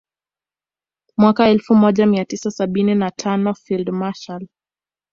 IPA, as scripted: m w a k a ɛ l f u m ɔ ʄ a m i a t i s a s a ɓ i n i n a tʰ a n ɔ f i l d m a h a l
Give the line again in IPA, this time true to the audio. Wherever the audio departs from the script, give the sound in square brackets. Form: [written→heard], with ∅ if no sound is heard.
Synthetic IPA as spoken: m w a k a ɛ l f u m ɔ ʄ a m i a t i s a s a ɓ i n i n a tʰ a n ɔ f i l d m a [h→ʃ] a l